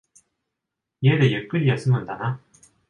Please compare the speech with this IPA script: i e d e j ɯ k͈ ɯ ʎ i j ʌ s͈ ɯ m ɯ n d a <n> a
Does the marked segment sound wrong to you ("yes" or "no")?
no